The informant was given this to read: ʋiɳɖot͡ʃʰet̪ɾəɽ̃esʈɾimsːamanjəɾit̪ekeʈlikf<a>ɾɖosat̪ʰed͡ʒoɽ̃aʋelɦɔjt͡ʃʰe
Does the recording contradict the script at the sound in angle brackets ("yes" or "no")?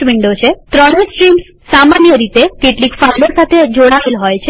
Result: no